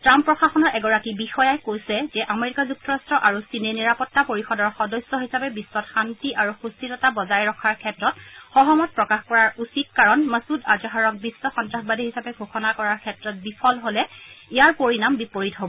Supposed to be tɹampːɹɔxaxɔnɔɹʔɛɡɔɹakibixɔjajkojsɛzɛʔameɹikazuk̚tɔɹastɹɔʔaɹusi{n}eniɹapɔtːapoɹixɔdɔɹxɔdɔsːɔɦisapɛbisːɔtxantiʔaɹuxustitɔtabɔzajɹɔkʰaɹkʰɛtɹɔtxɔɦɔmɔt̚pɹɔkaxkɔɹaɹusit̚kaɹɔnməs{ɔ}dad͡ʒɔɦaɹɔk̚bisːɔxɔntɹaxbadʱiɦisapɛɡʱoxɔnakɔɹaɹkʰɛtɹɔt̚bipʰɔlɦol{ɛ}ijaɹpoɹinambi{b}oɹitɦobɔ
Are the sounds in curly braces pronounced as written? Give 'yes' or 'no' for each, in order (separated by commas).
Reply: yes, no, yes, no